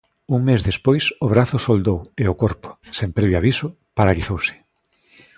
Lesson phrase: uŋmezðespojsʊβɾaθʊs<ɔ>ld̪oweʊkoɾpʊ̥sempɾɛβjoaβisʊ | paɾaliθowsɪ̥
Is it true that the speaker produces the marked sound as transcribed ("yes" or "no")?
no